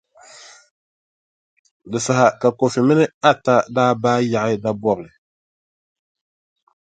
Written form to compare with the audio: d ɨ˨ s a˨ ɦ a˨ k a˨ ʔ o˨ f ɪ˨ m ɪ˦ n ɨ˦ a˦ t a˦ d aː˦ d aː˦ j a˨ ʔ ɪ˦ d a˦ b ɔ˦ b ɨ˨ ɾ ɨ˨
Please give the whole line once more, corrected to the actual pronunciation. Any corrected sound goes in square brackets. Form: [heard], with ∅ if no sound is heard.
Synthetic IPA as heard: d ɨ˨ s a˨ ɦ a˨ k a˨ [k] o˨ f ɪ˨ m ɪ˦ n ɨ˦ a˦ t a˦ d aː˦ [b] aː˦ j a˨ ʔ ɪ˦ d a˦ b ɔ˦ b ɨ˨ [l] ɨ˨